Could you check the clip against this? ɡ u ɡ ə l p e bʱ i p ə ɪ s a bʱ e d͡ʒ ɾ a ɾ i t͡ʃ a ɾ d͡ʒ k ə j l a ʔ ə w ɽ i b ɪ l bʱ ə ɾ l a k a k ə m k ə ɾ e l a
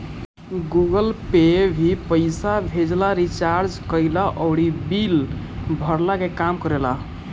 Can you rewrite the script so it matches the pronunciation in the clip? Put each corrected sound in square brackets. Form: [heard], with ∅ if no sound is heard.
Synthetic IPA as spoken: ɡ u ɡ ə l p e bʱ i p ə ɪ s a bʱ e d͡ʒ [l] a ɾ i t͡ʃ a ɾ d͡ʒ k ə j l a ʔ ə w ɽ i b [i] l bʱ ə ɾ l a k [e] k [a] m k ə ɾ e l a